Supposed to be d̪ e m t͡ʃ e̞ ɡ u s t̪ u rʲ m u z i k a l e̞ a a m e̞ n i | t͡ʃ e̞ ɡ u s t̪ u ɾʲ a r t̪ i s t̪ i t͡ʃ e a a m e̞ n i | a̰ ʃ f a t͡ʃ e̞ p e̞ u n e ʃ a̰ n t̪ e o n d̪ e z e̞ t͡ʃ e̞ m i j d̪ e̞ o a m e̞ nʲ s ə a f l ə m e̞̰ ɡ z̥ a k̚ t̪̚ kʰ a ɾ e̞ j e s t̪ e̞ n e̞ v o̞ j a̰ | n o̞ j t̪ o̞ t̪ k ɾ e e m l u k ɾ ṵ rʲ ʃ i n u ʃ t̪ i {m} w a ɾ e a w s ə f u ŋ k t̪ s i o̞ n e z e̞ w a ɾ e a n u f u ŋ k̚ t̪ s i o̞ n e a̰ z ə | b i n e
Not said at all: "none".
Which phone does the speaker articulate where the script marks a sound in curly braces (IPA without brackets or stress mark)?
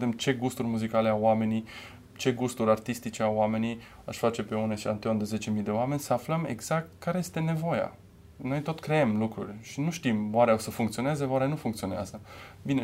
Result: m